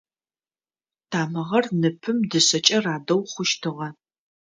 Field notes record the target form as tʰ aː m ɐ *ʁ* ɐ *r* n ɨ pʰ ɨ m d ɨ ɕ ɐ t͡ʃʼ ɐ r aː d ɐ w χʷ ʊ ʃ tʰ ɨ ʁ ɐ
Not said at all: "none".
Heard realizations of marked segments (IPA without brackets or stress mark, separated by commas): ʁ, r